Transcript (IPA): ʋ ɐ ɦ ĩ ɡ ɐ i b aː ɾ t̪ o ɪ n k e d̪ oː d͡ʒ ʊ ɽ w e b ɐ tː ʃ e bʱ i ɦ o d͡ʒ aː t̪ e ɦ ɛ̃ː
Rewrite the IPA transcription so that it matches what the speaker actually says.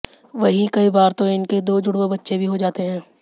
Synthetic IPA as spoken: ʋ ɐ ɦ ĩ k ɐ i b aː ɾ t̪ o ɪ n k e d̪ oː d͡ʒ ʊ ɽ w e b ɐ tː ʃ e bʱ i ɦ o d͡ʒ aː t̪ e ɦ ɛ̃ː